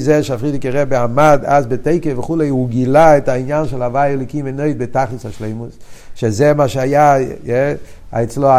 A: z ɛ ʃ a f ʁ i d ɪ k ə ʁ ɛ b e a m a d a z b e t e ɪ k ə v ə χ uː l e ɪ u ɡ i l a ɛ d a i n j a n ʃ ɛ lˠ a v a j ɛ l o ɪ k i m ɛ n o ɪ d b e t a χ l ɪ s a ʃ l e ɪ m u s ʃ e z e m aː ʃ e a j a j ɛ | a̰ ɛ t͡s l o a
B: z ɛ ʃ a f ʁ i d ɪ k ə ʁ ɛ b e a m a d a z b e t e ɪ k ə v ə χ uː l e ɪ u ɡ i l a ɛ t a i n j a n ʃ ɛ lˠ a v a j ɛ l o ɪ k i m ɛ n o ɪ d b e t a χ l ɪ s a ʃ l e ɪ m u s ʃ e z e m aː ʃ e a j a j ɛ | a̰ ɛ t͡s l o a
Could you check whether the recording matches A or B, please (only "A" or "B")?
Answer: B